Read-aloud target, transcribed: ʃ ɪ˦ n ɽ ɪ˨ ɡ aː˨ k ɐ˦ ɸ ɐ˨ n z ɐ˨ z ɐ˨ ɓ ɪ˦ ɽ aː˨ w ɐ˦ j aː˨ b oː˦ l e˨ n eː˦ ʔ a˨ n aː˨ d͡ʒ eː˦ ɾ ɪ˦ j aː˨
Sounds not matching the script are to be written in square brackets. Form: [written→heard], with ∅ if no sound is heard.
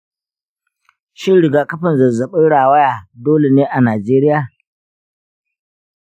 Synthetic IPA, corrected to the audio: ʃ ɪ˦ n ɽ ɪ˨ ɡ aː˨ k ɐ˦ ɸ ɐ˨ n z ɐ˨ z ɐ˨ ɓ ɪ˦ ɽ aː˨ w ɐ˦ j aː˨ [b→d] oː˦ l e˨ n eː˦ ʔ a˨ n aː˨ d͡ʒ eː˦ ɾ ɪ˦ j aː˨